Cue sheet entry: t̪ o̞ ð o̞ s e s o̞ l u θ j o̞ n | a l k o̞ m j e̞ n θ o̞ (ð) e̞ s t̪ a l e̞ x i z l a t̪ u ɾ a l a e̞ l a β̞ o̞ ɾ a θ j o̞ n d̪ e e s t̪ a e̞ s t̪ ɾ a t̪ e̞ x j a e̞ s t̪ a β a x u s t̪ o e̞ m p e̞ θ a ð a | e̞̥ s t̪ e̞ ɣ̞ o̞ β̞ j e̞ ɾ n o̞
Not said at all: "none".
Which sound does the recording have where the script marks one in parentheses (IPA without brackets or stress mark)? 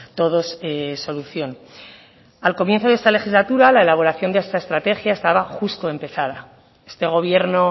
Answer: ð